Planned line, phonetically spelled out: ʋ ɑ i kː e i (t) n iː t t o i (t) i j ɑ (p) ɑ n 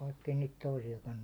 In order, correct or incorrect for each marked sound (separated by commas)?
incorrect, incorrect, incorrect